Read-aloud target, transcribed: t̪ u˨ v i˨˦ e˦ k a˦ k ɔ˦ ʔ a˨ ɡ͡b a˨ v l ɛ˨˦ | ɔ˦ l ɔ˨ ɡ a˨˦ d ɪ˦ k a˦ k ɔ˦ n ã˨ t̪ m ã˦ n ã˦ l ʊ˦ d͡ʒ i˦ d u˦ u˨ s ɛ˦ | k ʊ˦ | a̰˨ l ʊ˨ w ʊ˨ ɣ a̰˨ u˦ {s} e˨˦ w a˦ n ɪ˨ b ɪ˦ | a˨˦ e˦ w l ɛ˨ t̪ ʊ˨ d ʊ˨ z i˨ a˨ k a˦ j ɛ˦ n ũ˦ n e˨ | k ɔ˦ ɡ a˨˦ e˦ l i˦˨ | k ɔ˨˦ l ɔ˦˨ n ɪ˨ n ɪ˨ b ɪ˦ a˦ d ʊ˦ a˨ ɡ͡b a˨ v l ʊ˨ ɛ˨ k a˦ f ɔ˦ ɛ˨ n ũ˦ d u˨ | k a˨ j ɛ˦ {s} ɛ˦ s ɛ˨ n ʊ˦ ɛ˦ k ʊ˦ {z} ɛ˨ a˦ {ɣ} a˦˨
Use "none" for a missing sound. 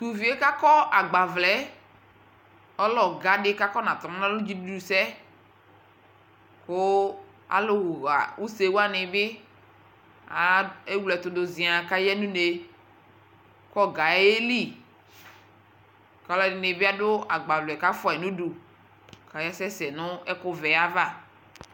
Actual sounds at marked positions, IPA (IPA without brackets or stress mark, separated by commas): s, s, v, v